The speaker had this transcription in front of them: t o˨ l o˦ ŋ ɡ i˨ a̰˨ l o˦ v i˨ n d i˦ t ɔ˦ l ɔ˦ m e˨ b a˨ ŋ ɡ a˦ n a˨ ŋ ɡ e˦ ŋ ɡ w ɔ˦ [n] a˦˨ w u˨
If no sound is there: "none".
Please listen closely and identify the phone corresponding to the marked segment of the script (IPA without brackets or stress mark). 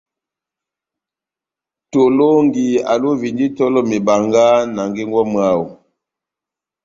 m